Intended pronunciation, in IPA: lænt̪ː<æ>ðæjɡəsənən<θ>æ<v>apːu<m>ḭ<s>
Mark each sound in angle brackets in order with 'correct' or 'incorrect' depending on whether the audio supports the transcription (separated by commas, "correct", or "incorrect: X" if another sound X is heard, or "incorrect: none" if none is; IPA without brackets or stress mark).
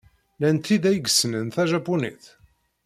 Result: incorrect: i, correct, incorrect: ʒ, incorrect: n, incorrect: θ